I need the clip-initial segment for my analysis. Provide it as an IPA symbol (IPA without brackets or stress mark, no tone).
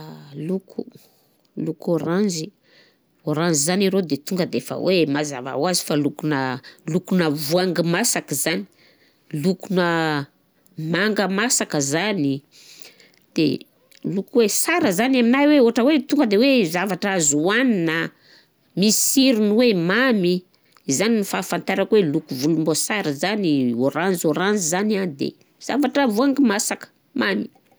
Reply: l